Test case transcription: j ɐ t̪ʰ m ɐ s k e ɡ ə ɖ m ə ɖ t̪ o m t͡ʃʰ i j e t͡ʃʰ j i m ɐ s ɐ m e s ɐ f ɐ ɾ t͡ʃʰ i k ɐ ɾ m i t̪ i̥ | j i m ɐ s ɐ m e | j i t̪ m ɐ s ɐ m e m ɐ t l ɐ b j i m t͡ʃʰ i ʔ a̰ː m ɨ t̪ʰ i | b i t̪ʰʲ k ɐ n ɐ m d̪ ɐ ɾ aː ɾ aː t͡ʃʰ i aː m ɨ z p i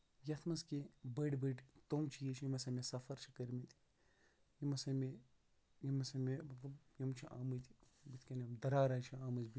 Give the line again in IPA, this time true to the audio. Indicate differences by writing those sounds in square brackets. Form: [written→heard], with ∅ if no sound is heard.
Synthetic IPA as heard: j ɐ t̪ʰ m ɐ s k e [ɡ→b] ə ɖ [m→b] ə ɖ t̪ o m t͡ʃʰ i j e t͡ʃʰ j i m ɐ s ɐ m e s ɐ f ɐ ɾ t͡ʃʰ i k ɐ ɾ m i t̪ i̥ | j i m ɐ s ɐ m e | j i [t̪→∅] m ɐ s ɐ m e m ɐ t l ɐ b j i m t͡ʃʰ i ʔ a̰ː m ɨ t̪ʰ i | b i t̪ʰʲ k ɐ n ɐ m d̪ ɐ ɾ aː ɾ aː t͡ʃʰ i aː m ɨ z [p→b] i